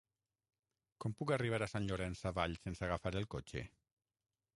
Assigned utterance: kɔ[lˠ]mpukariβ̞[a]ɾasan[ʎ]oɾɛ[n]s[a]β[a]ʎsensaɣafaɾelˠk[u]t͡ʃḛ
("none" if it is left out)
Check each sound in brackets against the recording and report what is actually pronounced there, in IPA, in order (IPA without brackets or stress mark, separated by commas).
none, a, ʎ, n, a, a, o